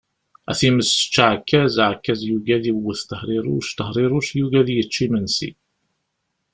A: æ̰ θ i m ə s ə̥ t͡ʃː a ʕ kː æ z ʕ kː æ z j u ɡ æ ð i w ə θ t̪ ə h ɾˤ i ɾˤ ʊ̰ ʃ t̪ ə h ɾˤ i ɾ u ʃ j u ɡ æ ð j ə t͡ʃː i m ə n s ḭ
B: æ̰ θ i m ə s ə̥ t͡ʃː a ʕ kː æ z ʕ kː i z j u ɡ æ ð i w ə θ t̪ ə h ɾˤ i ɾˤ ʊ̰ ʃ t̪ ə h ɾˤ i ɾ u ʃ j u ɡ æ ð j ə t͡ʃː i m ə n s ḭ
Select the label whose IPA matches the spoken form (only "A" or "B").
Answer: A